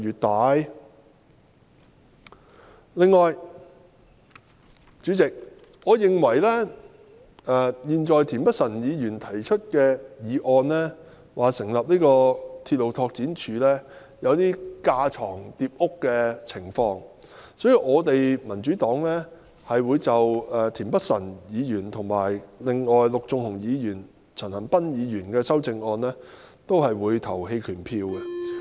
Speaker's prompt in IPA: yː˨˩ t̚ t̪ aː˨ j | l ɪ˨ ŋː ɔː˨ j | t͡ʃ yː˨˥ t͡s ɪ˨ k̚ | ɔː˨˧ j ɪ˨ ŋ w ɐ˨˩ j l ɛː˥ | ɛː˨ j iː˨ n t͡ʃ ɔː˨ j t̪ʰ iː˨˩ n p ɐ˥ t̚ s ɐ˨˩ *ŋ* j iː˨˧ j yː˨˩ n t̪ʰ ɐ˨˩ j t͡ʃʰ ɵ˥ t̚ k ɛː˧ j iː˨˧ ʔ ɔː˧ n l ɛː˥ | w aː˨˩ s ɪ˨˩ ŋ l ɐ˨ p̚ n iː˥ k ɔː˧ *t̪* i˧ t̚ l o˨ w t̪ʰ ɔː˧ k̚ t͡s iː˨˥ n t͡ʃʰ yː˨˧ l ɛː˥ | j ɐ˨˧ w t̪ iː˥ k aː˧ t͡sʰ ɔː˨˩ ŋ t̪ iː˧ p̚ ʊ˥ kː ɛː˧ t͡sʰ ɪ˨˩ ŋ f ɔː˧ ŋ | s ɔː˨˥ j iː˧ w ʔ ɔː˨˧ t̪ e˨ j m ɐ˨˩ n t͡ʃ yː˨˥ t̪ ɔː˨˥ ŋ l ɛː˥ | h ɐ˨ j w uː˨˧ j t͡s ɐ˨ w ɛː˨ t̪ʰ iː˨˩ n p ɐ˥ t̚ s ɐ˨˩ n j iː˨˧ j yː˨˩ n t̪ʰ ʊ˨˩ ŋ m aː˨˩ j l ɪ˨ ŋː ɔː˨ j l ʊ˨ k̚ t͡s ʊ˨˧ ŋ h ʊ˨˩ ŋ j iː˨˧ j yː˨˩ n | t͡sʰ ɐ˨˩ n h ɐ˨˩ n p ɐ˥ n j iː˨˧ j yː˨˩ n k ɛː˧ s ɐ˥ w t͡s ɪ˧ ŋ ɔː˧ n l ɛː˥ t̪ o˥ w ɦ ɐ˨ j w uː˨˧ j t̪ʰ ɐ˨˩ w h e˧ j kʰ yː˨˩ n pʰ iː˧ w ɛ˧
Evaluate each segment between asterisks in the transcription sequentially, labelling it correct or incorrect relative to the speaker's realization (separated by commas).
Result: incorrect, incorrect